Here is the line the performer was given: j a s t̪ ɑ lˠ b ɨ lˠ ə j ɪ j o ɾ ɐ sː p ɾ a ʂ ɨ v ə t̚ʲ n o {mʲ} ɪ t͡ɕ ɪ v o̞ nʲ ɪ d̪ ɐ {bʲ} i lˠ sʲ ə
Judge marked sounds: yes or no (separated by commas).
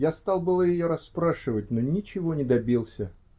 no, yes